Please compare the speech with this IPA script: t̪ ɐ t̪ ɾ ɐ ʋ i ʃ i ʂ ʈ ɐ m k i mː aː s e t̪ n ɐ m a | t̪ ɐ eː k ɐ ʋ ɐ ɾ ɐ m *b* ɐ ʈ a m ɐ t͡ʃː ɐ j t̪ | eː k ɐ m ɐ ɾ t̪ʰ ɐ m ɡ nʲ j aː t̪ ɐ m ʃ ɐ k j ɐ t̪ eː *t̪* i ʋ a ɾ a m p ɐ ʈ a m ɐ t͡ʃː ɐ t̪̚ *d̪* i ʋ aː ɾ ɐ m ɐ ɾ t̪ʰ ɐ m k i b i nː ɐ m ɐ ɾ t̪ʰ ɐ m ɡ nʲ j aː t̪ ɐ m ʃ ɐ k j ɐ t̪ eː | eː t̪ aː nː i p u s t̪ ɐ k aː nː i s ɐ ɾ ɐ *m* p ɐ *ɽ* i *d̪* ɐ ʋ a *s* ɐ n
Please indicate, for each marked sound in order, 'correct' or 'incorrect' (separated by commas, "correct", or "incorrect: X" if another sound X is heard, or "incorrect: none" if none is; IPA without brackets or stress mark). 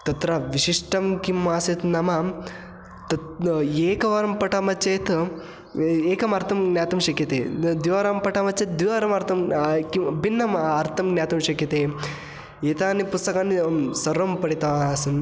incorrect: p, incorrect: d̪, correct, correct, correct, incorrect: t̪, correct